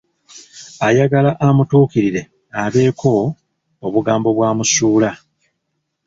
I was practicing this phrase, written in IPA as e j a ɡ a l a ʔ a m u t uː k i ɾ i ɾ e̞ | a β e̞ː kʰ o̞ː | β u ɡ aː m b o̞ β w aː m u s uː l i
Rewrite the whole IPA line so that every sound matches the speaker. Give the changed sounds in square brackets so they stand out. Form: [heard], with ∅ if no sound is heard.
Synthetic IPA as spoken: [a] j a ɡ a l a ʔ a m u t uː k i ɾ i ɾ e̞ | a β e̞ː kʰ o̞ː | β u ɡ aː m b o̞ β w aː m u s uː l [a]